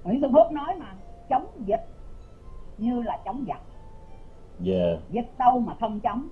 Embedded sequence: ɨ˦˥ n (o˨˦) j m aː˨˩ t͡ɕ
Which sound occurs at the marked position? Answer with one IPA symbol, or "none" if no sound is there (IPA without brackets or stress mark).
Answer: ɔ˨˦